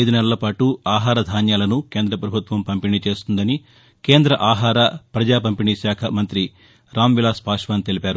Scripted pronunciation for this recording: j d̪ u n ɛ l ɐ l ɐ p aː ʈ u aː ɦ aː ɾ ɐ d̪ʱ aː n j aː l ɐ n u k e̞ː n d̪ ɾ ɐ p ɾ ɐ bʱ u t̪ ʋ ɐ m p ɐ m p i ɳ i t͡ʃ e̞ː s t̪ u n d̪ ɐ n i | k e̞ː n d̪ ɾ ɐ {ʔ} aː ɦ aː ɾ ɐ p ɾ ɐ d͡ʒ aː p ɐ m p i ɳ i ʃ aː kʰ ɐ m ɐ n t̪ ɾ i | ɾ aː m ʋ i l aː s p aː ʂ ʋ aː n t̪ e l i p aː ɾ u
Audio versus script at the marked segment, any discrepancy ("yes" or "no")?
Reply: no